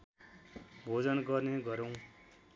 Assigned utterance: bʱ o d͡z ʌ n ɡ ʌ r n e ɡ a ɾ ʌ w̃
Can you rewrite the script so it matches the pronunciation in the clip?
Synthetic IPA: bʱ o d͡z ʌ n ɡ ʌ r n e ɡ ʌ ɾ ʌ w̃